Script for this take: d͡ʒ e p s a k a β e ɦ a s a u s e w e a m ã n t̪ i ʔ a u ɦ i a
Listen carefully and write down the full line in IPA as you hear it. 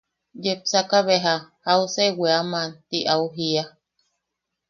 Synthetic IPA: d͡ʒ e p s a k a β e ɦ a h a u s e w e a m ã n t̪ i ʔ a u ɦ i a